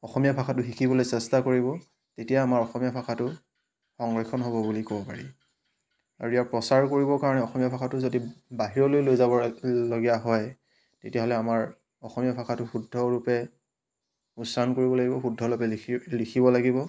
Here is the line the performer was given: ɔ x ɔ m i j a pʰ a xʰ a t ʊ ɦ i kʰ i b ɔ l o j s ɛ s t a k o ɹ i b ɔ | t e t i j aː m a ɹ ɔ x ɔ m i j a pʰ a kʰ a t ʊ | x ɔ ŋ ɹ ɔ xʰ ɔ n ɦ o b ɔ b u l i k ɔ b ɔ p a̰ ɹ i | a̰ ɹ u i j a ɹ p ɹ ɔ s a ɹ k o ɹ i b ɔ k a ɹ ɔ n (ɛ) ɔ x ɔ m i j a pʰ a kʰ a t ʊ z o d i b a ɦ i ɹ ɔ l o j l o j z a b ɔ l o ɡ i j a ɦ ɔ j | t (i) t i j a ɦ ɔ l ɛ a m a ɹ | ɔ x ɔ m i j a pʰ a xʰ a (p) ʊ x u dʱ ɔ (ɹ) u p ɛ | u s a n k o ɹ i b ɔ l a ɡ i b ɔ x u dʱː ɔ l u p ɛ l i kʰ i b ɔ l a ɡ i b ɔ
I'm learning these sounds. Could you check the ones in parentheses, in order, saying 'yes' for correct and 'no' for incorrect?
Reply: yes, no, no, yes

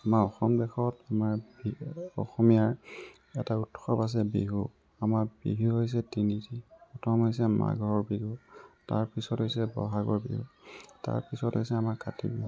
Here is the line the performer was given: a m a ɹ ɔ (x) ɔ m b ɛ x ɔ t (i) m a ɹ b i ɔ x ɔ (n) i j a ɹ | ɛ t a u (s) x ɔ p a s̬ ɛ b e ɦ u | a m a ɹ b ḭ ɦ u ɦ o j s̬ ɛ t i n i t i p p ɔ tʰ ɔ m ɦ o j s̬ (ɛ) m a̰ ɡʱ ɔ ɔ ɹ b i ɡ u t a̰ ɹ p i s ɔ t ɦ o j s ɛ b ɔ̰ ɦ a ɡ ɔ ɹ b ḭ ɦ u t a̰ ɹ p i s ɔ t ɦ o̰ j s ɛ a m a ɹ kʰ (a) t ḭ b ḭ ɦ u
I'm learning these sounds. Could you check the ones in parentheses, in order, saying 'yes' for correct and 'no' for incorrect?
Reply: yes, no, no, no, yes, yes

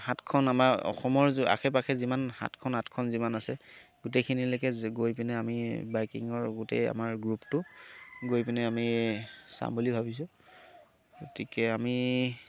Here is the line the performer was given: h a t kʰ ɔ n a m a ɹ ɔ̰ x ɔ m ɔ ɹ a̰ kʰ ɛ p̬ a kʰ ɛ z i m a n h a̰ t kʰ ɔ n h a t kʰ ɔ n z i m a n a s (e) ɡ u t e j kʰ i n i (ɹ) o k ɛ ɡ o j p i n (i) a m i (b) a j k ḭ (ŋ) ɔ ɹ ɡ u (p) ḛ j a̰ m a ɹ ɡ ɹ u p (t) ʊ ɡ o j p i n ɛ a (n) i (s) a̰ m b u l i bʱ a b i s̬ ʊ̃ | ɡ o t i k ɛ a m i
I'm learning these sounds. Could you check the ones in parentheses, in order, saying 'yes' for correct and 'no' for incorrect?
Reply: no, no, no, yes, yes, no, yes, no, yes

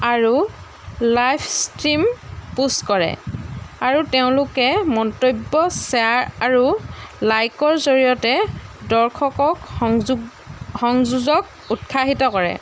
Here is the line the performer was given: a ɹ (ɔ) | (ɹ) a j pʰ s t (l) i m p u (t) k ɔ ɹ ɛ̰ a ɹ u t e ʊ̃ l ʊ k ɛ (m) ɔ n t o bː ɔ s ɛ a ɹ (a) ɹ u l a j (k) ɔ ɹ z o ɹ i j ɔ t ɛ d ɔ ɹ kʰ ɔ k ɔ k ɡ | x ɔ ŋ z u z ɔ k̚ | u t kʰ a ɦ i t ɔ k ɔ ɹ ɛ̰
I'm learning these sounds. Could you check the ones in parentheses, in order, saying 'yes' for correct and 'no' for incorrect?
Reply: no, no, no, no, yes, yes, yes

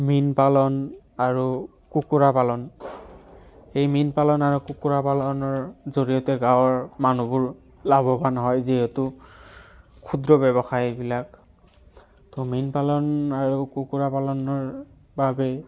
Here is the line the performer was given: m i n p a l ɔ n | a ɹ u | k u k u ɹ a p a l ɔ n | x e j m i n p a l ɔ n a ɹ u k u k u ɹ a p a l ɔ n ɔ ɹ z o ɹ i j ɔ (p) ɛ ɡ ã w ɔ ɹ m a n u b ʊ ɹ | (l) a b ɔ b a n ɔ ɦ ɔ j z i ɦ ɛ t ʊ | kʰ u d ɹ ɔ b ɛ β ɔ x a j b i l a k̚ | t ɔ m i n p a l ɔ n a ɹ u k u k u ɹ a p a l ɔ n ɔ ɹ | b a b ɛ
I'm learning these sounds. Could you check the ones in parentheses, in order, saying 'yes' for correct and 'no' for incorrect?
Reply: no, yes

